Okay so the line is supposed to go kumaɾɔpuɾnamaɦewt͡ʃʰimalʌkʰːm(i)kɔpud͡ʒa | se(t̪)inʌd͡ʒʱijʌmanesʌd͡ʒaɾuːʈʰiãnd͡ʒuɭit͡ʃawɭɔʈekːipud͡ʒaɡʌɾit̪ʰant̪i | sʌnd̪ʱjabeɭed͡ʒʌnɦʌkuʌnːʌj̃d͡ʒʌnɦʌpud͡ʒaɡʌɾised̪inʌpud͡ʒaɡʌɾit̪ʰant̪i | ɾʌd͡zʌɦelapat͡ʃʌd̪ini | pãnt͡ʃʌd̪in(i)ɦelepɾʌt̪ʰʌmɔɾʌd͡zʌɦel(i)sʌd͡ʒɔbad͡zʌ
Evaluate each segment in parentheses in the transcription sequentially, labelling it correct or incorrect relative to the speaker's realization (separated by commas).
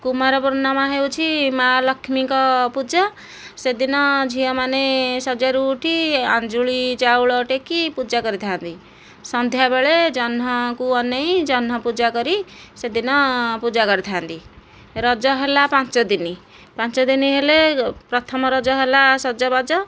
correct, incorrect, correct, incorrect